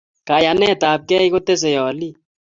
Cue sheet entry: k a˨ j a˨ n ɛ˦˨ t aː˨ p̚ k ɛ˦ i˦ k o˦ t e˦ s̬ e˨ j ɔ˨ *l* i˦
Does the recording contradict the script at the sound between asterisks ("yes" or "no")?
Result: no